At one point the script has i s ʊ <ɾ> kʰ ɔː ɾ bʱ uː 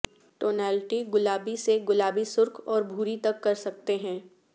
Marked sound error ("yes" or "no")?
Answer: no